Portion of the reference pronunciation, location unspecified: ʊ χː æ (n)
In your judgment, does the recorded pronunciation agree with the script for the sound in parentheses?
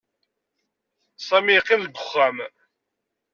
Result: no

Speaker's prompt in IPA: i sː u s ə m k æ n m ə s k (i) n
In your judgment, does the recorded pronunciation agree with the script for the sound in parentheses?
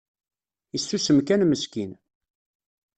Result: yes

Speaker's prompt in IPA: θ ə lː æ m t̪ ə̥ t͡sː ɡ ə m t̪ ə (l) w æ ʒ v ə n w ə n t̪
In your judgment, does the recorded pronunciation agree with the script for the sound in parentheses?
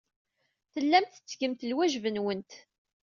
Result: yes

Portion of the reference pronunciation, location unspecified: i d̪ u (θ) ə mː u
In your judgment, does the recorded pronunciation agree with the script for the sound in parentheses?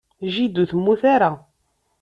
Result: yes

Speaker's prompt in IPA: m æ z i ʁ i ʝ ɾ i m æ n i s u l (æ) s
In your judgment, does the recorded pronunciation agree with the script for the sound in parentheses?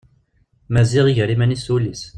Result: no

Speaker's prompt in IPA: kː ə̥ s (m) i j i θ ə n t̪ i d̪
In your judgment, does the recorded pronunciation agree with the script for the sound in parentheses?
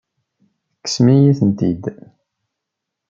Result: yes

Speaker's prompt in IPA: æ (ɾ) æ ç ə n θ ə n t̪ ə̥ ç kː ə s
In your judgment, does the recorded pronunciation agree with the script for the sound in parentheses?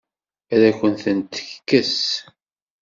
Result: yes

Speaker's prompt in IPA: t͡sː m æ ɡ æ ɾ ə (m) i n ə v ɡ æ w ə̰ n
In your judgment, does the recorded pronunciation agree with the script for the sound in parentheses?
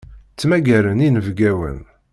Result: no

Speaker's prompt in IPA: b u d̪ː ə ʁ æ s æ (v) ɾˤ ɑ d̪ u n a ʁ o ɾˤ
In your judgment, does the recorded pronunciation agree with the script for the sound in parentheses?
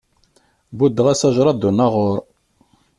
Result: no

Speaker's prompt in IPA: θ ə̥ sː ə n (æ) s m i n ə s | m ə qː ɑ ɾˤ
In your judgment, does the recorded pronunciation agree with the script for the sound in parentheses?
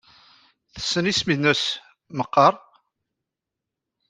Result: no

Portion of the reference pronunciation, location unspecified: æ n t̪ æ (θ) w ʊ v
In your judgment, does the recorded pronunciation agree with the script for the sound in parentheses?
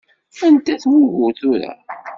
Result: yes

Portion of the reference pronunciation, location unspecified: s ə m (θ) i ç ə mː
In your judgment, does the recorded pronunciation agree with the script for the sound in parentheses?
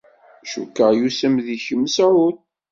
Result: no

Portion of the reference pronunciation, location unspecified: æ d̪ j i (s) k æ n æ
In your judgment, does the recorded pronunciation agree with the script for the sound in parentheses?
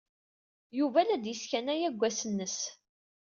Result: yes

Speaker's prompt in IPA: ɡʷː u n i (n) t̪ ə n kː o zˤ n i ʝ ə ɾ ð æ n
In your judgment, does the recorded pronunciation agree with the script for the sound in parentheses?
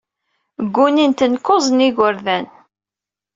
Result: yes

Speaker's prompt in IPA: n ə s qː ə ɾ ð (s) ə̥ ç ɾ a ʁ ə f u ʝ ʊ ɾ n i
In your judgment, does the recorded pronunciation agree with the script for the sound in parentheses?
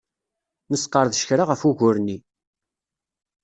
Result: no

